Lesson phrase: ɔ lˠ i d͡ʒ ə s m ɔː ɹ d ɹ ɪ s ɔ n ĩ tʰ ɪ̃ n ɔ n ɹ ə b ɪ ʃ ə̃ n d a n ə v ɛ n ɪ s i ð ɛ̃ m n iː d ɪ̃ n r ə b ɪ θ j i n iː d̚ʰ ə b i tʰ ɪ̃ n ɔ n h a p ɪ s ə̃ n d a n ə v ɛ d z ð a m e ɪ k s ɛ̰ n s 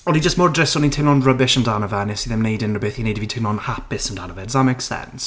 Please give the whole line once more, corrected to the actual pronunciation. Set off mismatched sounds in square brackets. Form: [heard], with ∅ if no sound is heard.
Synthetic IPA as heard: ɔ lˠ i d͡ʒ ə s m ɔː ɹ d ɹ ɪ s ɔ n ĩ tʰ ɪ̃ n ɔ n ɹ ə b ɪ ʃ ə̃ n d a n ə v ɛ n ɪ s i ð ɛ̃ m n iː d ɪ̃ n [ɹ] ə b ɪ θ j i n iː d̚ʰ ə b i tʰ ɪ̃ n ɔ n h a p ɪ s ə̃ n d a n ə v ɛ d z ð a m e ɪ k s ɛ̰ n s